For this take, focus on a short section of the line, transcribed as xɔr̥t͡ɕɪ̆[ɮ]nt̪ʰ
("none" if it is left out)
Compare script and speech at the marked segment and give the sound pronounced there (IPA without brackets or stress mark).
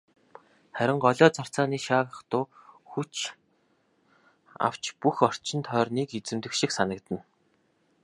none